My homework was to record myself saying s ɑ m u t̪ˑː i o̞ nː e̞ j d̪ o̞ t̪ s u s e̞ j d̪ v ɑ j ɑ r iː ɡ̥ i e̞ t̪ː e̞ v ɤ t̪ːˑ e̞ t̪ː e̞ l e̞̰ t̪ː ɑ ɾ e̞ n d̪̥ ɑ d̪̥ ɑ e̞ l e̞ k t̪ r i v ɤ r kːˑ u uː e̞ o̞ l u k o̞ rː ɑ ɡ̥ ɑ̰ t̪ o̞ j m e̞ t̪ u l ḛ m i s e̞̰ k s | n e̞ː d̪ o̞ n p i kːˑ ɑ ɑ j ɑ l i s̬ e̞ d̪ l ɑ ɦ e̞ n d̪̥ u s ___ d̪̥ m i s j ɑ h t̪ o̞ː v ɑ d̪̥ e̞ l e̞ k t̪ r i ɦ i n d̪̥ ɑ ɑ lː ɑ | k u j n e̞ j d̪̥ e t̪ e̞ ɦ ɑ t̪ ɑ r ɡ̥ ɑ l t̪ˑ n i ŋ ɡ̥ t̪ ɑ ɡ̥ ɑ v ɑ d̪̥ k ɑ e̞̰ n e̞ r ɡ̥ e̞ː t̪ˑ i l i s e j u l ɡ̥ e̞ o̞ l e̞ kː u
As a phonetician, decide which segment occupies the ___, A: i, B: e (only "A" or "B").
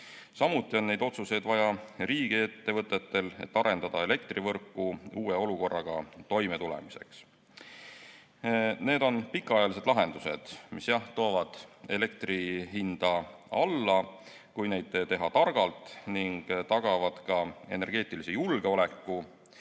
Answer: B